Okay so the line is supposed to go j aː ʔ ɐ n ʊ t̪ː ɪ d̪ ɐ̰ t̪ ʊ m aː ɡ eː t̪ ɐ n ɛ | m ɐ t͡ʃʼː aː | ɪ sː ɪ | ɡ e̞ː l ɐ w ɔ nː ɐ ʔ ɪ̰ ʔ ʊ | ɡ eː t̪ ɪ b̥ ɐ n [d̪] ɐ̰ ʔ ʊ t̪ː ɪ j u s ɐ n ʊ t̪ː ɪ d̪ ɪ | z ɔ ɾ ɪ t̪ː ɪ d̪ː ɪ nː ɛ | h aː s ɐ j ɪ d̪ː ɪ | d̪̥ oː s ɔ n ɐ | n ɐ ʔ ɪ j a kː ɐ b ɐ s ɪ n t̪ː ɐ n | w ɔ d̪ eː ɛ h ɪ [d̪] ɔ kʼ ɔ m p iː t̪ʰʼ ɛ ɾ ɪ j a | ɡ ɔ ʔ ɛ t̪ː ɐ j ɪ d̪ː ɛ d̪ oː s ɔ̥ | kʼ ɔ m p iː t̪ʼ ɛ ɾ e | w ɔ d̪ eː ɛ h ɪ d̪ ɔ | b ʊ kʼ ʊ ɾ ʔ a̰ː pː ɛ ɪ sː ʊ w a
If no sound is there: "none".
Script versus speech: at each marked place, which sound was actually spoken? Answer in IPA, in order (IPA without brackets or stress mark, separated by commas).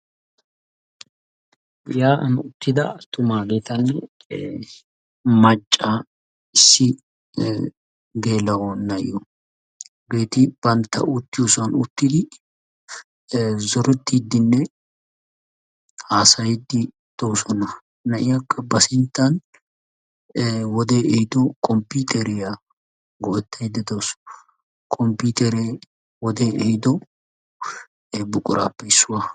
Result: t̪, d̪